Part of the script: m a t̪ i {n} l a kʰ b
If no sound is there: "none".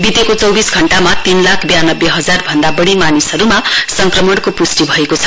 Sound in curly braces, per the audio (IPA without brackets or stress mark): n